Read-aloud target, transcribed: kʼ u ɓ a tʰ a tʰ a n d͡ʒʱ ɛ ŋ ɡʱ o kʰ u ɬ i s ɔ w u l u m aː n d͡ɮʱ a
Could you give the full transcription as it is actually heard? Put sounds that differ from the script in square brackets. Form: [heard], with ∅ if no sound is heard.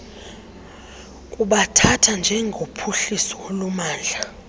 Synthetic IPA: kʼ u ɓ a tʰ a tʰ a n d͡ʒʱ ɛ ŋ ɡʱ o [pʰ] u ɬ i s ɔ w [o] l u m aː n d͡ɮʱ a